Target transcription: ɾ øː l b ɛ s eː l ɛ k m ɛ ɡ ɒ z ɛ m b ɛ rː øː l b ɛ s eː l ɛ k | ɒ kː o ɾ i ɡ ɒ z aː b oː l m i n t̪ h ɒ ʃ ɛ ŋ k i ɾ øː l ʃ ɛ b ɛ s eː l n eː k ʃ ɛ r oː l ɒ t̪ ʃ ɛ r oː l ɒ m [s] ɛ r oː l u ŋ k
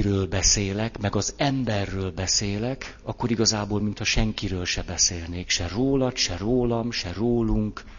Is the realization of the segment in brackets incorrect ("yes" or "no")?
yes